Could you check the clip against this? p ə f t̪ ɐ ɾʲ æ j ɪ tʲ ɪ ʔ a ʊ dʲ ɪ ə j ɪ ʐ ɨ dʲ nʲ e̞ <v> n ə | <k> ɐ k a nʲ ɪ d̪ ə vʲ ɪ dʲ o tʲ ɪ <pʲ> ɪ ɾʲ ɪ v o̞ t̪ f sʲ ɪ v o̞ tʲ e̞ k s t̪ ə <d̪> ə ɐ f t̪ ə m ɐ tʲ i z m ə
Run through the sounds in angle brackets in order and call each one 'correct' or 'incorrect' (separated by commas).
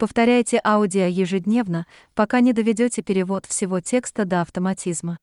correct, incorrect, correct, correct